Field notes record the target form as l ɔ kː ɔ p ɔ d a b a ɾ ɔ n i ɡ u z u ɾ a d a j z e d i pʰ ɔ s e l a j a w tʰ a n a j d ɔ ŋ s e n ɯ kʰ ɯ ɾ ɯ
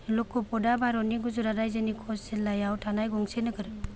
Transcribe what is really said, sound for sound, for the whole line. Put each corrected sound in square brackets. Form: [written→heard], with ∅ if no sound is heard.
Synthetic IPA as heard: l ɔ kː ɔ p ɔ d a b a ɾ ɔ n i ɡ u z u ɾ a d a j z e [d→n] i [pʰ→kʰ] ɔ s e l a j a w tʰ a n a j [d→ɡ] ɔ ŋ s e n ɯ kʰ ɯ ɾ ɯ